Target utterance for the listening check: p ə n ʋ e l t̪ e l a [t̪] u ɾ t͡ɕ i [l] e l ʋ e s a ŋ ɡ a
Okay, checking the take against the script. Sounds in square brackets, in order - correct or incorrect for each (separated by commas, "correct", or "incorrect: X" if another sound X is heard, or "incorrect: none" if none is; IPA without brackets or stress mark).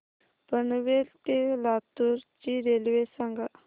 correct, incorrect: ɾ